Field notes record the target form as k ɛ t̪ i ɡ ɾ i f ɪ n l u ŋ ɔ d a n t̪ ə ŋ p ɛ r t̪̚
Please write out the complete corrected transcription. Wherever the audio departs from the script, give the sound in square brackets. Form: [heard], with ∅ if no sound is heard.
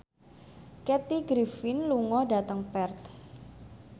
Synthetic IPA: k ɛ t̪ i ɡ ɾ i f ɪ n l u ŋ ɔ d a [∅] t̪ ə ŋ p ɛ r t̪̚